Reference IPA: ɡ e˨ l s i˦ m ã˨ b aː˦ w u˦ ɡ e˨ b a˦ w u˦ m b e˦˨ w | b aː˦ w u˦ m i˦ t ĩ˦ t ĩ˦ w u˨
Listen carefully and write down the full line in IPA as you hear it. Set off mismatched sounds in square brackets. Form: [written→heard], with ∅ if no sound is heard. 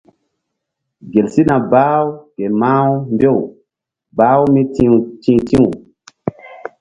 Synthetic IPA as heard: ɡ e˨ l s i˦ [m→n] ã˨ b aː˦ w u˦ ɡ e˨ [b→m] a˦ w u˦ m b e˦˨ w | b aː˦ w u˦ m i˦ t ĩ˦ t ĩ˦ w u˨